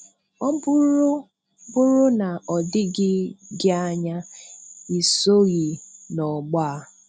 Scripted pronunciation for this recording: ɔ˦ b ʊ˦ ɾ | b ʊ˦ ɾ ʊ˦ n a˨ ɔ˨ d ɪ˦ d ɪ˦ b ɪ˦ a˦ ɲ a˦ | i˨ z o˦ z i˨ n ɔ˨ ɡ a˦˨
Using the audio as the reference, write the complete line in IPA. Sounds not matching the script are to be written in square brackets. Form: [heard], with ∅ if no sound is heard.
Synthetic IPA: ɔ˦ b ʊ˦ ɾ | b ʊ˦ ɾ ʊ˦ n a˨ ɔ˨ d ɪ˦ [ɡ] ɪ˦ [ɡ] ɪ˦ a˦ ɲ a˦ | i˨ [s] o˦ [ɣ] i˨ n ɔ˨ [ɡ͡b] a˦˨